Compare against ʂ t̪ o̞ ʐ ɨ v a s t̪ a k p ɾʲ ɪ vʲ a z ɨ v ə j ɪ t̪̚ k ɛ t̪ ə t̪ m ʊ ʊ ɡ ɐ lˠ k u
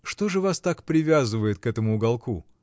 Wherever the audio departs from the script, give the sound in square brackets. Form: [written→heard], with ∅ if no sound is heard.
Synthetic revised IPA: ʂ t̪ o̞ ʐ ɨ v a s t̪ a k p ɾʲ ɪ vʲ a z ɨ v ə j ɪ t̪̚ k ɛ t̪ ə [t̪→∅] m ʊ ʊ ɡ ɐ lˠ k u

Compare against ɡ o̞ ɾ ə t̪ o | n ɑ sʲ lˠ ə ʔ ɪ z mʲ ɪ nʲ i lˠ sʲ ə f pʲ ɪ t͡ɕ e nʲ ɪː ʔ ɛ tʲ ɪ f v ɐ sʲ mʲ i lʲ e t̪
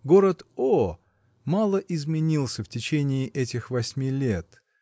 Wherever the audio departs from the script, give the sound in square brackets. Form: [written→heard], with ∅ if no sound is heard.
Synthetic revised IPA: ɡ o̞ ɾ ə t̪ o | [n→m] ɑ [sʲ→∅] lˠ ə ʔ ɪ z mʲ ɪ nʲ i lˠ sʲ ə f [pʲ→tʲ] ɪ t͡ɕ e nʲ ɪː ʔ ɛ tʲ ɪ [f→x] v ɐ sʲ mʲ i lʲ e t̪

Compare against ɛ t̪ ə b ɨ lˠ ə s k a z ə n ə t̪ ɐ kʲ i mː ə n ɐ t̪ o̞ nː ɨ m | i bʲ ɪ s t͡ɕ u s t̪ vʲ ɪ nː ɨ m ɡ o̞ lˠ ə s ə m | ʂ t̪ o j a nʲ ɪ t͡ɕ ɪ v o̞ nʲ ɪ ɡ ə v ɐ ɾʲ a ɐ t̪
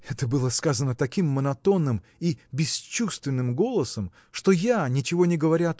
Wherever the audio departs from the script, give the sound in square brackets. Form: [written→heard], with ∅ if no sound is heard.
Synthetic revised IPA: ɛ t̪ ə b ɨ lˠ ə s k a z ə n ə t̪ ɐ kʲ i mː ə n ɐ t̪ o̞ nː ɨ m | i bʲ ɪ s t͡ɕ u s t̪ vʲ ɪ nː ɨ m ɡ o̞ lˠ ə s ə m | ʂ t̪ o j a nʲ ɪ t͡ɕ ɪ v o̞ nʲ ɪ ɡ ə v ɐ ɾʲ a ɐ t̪

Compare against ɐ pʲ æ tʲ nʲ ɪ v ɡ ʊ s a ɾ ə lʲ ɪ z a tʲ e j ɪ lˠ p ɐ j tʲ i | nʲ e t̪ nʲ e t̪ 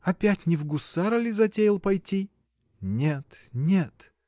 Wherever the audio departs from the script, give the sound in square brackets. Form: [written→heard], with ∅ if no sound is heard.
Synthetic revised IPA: ɐ pʲ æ tʲ nʲ ɪ v ɡ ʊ s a ɾ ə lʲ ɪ z [a→ɐ] tʲ e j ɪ lˠ p ɐ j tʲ i | nʲ e t̪ nʲ e t̪

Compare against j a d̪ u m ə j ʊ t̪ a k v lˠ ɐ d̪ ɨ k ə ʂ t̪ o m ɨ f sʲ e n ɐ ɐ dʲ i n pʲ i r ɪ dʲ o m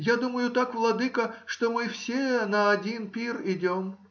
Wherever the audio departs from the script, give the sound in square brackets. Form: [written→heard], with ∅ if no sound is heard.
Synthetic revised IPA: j a d̪ u m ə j ʊ t̪ a k v lˠ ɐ d̪ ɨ k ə ʂ t̪ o m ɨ f sʲ e n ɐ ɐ dʲ i n pʲ i r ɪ dʲ o m

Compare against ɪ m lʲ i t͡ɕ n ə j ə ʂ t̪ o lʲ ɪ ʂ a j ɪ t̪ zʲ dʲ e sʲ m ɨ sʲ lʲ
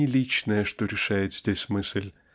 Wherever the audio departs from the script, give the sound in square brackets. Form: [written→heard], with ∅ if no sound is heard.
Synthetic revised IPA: ɪ [m→∅] lʲ i t͡ɕ n ə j ə ʂ t̪ o [lʲ→ɾʲ] ɪ ʂ a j ɪ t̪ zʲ dʲ e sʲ m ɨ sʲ lʲ

